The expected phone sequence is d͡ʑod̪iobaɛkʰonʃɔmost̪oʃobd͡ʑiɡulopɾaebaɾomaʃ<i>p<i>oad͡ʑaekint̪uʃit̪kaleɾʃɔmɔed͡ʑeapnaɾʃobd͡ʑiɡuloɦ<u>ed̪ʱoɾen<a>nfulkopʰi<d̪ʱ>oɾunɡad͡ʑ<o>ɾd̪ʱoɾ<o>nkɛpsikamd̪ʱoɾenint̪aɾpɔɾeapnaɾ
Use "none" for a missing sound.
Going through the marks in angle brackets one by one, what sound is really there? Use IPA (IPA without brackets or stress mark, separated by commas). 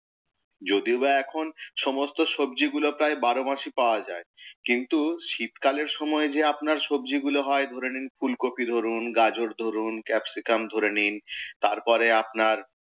i, a, ɔ, i, d̪ʱ, o, u